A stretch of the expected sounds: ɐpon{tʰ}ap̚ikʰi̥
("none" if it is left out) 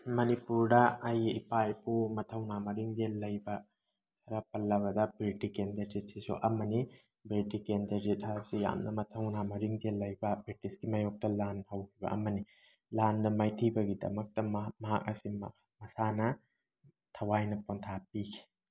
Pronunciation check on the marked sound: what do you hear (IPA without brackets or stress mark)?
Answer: tʰ